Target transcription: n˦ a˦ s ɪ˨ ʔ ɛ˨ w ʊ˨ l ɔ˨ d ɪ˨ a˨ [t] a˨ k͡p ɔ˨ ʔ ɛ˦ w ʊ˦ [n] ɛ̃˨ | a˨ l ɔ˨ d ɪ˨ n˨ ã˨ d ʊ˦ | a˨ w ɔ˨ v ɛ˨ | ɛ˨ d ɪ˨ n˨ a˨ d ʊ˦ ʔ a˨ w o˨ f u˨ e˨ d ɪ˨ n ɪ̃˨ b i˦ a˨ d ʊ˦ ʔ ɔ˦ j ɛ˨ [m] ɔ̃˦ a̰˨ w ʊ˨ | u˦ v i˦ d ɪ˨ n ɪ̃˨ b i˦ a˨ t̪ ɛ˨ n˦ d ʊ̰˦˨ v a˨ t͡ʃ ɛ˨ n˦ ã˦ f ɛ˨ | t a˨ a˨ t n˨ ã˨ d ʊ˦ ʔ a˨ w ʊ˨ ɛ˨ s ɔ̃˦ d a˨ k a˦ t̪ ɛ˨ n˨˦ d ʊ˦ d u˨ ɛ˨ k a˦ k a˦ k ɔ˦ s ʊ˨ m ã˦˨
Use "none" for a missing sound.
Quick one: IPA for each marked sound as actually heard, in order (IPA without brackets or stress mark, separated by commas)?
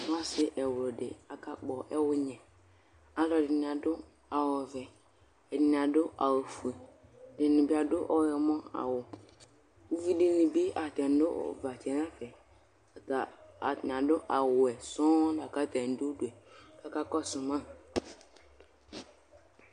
k, ɲ, m